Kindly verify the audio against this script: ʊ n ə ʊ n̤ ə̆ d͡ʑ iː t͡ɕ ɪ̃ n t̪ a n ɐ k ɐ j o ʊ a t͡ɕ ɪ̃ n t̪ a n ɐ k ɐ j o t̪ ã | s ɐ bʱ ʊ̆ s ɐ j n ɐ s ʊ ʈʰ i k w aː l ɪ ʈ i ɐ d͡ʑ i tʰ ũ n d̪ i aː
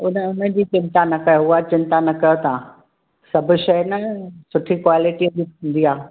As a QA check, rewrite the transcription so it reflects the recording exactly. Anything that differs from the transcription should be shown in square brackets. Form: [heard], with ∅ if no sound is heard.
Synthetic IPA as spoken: ʊ n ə ʊ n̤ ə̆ d͡ʑ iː t͡ɕ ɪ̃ n t̪ a n ɐ k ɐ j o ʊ a t͡ɕ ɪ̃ n t̪ a n ɐ k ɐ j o t̪ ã | s ɐ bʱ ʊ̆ [ʃ] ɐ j n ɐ s ʊ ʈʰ i k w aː l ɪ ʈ i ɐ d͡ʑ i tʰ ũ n d̪ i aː